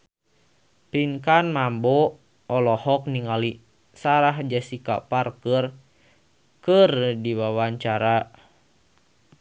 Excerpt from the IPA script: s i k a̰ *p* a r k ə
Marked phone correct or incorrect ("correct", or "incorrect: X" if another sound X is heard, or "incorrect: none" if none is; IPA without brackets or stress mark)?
correct